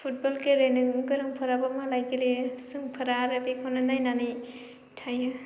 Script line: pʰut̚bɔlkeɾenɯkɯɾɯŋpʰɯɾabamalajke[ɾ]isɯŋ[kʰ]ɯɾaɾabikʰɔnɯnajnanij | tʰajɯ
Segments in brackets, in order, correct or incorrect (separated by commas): incorrect, incorrect